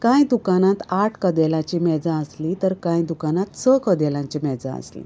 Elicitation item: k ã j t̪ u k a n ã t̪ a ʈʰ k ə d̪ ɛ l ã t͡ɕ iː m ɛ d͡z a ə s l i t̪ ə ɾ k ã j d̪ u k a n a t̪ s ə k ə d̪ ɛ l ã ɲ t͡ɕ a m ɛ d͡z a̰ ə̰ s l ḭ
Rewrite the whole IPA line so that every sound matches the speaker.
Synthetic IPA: k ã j d̪ u k a n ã t̪ a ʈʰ k ə d̪ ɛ l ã t͡ɕ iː m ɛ d͡z a ə s l i t̪ ə ɾ k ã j d̪ u k a n a t̪ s ə k ə d̪ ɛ l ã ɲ t͡ɕ i m ɛ d͡z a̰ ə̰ s l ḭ